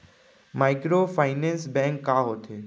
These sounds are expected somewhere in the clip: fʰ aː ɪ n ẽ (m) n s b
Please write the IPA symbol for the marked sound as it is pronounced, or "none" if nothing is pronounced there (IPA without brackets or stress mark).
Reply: none